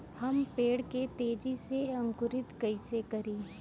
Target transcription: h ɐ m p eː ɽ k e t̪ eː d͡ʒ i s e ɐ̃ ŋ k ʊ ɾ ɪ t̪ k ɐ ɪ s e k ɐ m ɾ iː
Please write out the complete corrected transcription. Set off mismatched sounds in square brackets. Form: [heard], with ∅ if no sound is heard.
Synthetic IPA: h ɐ m p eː ɽ k e t̪ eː d͡ʒ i s e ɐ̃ ŋ k ʊ ɾ ɪ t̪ k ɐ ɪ s e k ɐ [∅] ɾ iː